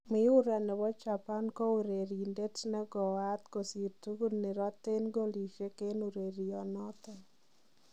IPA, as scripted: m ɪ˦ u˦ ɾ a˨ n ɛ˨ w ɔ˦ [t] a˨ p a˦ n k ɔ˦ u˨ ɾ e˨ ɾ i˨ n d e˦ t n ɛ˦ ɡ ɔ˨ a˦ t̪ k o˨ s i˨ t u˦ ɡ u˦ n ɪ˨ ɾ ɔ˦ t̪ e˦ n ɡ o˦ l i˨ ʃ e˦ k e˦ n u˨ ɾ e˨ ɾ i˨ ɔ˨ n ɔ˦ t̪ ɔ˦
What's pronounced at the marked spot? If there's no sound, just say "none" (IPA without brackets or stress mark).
t͡ʃ